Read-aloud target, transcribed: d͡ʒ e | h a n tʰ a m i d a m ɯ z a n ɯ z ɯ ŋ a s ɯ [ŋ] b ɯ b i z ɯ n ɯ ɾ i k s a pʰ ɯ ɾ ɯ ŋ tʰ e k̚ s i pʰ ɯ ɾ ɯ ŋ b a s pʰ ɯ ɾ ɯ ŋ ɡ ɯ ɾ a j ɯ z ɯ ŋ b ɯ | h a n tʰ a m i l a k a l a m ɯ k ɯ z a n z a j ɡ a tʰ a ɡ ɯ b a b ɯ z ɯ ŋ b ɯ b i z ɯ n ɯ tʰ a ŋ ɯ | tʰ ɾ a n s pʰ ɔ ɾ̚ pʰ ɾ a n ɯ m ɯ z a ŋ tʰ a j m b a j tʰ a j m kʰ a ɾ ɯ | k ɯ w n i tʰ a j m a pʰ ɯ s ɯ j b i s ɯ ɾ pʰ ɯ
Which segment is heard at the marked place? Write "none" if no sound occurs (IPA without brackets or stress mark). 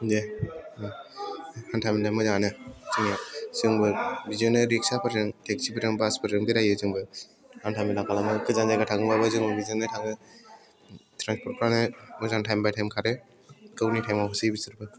ŋ